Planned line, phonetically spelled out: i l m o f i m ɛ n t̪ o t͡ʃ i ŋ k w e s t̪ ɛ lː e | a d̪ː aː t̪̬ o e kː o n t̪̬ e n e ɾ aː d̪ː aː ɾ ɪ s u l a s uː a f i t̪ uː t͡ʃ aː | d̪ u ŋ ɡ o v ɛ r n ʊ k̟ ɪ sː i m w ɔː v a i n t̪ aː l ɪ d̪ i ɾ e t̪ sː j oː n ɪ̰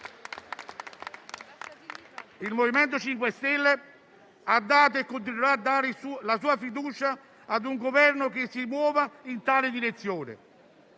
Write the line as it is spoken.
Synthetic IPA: i l m o v i m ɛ n t̪ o t͡ʃ i ŋ k w e s t̪ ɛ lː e | a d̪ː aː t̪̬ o e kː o n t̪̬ i n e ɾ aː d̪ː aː ɾ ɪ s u l a s uː a f i d̪ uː t͡ʃ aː | d̪ u ŋ ɡ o v ɛ r n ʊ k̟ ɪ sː i m w ɔː v a i n t̪ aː l ɪ d̪ i ɾ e t̪ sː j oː n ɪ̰